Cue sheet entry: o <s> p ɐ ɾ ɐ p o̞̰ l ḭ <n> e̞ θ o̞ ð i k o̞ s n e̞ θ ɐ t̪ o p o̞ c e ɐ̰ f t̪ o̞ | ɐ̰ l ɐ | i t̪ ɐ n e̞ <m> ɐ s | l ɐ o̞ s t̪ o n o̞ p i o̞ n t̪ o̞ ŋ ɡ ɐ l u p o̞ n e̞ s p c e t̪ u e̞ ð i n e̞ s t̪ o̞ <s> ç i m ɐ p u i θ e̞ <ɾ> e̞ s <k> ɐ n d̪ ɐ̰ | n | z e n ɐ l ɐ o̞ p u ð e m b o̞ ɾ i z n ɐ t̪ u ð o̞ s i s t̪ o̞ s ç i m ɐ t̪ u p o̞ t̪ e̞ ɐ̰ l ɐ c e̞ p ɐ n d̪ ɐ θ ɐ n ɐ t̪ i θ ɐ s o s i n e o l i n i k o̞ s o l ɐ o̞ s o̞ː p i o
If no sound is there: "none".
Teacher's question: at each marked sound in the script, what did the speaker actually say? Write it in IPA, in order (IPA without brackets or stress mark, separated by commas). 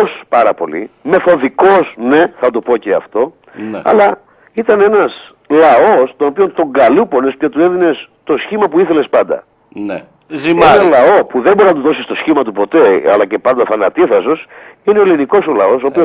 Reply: s, m, n, s, l, p